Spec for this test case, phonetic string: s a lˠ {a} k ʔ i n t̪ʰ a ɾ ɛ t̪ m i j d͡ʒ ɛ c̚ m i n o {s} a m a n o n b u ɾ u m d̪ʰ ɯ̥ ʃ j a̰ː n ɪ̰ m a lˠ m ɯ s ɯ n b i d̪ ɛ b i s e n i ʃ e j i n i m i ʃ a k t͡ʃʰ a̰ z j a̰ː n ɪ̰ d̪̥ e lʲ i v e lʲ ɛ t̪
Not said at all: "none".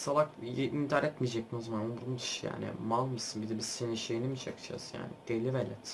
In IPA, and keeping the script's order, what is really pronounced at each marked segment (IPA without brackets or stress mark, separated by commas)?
a, z